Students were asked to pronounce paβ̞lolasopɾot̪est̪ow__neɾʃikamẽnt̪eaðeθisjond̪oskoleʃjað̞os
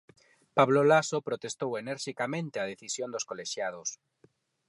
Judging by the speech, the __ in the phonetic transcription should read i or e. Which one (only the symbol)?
e